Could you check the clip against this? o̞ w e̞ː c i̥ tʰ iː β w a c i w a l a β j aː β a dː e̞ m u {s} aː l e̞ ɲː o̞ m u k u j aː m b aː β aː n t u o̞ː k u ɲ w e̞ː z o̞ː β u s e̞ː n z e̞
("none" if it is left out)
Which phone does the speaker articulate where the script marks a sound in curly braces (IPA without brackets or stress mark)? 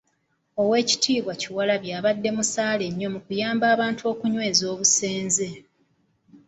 s